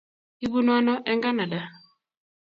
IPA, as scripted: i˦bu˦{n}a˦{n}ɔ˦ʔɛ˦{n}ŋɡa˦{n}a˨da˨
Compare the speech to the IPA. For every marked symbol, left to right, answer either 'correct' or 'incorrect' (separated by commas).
correct, correct, incorrect, correct